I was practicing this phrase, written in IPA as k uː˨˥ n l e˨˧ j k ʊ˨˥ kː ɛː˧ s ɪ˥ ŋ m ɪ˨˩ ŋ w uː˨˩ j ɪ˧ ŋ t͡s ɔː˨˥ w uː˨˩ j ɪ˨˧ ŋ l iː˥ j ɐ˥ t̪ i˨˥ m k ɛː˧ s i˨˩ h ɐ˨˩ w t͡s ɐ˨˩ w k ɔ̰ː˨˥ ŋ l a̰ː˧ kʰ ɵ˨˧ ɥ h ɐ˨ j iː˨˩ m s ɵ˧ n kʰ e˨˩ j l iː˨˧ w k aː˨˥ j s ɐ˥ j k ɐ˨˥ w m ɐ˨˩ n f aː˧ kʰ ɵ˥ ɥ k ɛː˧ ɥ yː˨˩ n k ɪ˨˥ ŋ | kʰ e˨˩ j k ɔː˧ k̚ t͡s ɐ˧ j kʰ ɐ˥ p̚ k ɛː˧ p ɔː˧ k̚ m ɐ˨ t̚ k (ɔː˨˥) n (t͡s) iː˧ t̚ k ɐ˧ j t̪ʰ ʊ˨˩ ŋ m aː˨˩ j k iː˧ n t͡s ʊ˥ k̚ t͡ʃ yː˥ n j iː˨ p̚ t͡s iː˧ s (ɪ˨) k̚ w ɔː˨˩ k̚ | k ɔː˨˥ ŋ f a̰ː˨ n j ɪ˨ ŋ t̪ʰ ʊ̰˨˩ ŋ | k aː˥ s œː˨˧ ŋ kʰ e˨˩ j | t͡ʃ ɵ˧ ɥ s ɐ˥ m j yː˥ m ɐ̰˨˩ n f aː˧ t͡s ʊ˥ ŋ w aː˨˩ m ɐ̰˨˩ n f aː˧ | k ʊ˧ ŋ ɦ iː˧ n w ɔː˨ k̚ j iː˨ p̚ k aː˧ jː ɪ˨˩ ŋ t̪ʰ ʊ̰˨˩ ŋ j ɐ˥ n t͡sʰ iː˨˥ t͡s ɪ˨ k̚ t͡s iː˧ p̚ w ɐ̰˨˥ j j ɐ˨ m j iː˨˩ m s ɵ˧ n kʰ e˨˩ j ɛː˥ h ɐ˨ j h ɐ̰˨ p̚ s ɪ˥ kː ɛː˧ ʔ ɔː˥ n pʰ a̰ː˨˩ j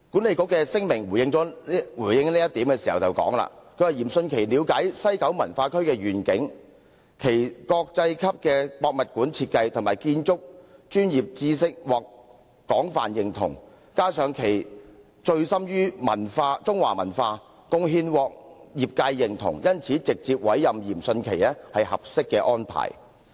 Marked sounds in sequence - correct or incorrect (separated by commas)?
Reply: incorrect, incorrect, incorrect